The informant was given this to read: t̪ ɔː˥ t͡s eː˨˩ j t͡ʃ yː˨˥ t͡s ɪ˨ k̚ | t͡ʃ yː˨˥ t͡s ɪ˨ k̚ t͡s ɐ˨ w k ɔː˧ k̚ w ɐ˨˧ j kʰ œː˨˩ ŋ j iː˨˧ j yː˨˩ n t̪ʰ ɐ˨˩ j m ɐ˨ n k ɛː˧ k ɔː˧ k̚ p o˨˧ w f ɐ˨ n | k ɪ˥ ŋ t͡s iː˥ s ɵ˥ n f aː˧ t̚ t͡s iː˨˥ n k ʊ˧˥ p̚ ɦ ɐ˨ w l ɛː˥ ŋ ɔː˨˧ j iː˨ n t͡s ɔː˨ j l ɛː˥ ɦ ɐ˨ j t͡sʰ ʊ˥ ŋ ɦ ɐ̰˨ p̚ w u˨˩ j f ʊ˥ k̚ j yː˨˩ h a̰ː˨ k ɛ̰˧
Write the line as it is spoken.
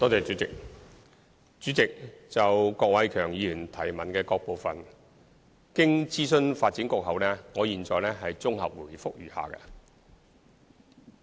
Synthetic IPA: t̪ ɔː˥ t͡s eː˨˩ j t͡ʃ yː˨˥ t͡s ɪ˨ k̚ | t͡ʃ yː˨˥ t͡s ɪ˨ k̚ t͡s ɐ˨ w k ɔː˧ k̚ w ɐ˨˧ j kʰ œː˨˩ ŋ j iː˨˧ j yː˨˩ n t̪ʰ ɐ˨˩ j m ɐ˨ n k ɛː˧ k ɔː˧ k̚ p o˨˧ w f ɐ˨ n | k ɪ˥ ŋ t͡s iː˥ s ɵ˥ n f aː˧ t̚ t͡s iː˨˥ n k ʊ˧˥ k̚ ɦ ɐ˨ w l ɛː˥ ŋ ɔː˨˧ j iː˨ n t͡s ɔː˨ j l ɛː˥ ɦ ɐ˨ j t͡s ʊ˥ ŋ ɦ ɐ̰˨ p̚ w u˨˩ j f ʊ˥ k̚ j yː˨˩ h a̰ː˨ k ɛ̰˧